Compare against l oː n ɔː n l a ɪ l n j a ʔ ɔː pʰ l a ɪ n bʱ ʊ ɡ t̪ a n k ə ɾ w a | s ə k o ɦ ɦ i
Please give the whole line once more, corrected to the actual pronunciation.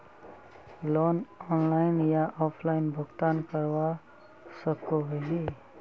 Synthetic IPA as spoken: l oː n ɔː n l a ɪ n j a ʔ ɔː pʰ l a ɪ n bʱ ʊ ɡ t̪ a n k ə ɾ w a | s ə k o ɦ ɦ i